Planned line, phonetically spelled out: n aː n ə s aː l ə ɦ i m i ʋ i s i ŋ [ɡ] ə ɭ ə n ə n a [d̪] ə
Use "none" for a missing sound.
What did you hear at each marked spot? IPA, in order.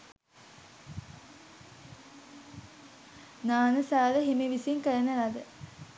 k, d̪

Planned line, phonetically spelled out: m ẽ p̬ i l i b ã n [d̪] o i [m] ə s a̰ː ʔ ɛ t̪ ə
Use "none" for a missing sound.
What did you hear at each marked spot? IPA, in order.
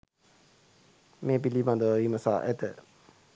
d̪, m

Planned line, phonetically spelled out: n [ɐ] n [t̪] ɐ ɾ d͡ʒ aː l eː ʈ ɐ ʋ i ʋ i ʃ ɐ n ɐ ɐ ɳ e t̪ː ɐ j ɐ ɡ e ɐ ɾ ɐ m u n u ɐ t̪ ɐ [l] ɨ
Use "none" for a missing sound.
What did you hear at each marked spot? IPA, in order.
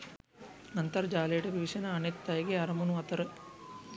ɐ, t̪, ɾ

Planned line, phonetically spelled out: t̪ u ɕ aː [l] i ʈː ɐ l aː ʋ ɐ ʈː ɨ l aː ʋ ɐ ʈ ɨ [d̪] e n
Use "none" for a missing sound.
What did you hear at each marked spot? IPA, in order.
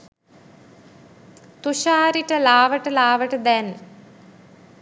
ɾ, d̪

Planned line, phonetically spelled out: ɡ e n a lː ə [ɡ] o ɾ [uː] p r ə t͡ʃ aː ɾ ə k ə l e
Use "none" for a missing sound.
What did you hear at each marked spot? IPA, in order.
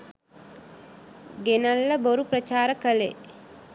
b, u

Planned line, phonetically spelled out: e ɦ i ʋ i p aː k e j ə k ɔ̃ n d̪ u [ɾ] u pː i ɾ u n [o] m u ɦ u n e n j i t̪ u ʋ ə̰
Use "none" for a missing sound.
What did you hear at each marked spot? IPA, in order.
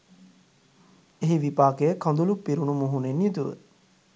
l, u

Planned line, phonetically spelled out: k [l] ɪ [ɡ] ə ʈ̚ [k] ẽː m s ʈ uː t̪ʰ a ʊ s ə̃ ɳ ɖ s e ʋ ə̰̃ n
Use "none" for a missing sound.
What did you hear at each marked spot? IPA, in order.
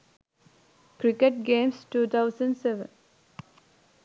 ɾ, k, ɡ

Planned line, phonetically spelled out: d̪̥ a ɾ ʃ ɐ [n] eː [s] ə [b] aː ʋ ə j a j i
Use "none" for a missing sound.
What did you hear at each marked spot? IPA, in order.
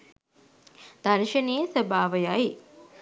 n, s, b

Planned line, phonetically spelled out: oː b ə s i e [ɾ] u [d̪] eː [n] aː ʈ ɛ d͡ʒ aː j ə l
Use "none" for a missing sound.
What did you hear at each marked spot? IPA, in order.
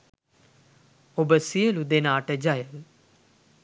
l, d̪, n

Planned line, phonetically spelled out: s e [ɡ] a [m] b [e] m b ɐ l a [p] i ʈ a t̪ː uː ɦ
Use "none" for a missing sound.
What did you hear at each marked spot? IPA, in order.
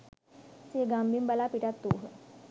ɡ, m, i, p

